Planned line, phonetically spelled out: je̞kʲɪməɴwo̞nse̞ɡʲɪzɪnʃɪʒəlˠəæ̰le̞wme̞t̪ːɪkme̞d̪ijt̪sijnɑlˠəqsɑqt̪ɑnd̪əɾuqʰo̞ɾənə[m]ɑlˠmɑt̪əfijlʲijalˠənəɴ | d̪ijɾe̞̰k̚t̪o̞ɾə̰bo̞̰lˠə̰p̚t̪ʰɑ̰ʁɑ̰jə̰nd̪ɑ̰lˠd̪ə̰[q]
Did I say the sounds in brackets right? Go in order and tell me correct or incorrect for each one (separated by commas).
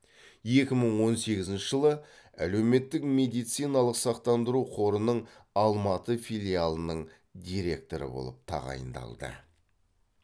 incorrect, incorrect